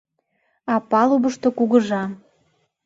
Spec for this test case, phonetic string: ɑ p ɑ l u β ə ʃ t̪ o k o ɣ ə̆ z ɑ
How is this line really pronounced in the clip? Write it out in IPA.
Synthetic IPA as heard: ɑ p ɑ l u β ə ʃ t̪ o k u ɣ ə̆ ʒ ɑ